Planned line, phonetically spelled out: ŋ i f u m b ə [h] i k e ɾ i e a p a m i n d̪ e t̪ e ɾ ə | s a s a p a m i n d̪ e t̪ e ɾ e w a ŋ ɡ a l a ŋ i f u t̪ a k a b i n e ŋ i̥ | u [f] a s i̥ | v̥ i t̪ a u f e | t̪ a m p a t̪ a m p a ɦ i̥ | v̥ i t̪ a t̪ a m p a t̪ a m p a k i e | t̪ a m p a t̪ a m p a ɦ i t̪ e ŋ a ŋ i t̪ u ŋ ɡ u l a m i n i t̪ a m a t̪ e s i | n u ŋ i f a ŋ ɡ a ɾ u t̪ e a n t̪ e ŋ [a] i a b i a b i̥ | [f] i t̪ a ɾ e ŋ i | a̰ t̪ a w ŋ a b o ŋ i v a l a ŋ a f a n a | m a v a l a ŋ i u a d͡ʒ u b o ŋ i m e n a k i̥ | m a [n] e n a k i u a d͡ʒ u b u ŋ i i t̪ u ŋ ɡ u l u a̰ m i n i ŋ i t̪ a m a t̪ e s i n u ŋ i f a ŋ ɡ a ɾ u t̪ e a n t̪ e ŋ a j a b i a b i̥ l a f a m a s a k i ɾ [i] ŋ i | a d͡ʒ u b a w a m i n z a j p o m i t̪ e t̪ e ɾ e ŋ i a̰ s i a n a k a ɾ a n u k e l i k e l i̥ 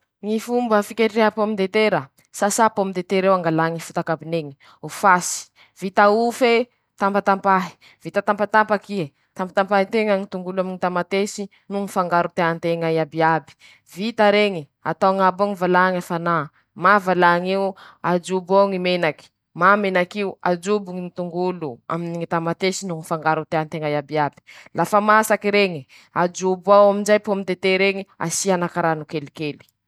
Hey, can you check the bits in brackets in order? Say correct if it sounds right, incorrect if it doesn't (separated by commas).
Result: incorrect, correct, correct, incorrect, incorrect, incorrect